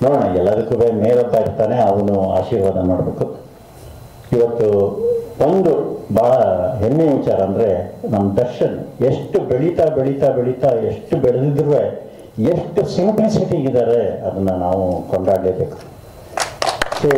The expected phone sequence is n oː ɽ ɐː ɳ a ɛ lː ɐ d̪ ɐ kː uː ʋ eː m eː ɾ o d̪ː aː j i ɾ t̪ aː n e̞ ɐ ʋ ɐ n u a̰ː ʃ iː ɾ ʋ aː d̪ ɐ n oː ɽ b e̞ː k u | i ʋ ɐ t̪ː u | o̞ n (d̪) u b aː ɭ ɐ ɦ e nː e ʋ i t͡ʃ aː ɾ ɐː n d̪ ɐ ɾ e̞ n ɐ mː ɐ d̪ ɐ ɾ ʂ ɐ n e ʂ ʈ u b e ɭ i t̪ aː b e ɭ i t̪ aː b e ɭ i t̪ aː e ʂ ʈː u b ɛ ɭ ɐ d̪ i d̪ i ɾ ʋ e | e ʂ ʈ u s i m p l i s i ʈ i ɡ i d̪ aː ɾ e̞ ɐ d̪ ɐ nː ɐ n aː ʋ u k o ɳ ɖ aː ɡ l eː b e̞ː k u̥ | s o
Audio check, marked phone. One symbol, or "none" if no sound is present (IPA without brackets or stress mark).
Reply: d̪